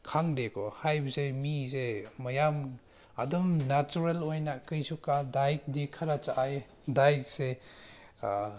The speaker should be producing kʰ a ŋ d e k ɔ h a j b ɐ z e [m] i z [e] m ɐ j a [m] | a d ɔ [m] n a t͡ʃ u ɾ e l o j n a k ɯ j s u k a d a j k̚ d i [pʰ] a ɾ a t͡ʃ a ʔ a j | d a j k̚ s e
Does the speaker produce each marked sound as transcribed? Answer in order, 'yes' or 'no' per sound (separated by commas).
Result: yes, yes, yes, yes, no